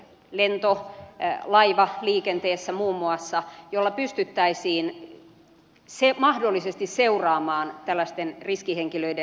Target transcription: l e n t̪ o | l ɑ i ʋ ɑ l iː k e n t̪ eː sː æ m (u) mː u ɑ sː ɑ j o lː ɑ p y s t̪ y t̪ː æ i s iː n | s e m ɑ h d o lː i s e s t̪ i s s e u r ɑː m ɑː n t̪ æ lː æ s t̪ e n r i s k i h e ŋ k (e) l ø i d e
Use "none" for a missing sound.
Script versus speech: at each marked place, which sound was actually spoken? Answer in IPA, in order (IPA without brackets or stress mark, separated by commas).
uː, i